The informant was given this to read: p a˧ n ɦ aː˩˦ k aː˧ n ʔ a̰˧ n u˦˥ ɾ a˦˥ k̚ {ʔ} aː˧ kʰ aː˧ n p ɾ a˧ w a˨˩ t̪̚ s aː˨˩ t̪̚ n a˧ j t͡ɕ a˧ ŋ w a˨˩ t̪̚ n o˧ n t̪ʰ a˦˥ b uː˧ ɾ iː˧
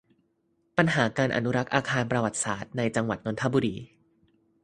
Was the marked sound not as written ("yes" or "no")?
no